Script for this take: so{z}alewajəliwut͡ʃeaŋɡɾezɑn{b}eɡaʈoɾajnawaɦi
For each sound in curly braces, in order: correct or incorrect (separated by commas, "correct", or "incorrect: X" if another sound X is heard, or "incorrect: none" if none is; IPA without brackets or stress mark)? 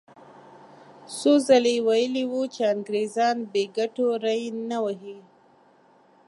correct, correct